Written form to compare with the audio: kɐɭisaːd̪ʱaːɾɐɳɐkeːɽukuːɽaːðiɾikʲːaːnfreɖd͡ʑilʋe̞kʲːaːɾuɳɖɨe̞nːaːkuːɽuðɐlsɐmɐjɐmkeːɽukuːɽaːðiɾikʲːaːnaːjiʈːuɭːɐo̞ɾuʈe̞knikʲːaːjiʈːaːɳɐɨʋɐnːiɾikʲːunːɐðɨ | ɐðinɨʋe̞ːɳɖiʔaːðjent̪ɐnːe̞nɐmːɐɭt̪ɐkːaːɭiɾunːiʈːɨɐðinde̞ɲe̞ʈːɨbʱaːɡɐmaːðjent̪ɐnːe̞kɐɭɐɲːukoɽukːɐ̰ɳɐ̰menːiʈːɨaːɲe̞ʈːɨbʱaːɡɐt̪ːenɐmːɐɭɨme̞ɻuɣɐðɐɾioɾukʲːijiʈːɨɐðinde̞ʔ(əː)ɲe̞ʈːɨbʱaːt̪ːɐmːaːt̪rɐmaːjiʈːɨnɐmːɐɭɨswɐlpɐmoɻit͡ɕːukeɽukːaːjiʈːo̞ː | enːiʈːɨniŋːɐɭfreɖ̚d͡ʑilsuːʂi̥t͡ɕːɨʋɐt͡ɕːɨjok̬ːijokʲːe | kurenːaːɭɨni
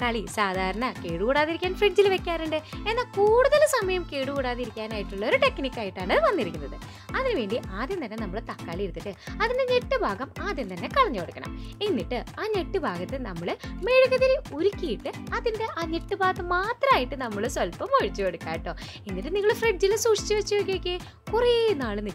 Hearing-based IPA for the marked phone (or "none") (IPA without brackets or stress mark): aː